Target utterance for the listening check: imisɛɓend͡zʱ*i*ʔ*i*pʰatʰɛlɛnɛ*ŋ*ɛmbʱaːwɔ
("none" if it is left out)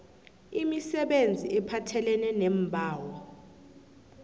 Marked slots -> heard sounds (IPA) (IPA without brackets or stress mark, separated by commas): i, ɛ, n